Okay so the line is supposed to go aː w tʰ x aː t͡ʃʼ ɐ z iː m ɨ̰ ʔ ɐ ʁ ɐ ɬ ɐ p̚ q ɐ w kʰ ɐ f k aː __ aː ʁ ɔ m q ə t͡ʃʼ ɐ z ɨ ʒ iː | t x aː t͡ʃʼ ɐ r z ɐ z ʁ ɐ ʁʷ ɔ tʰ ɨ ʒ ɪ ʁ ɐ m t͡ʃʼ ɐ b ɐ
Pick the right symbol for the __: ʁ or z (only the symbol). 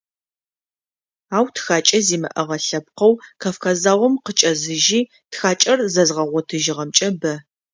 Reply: z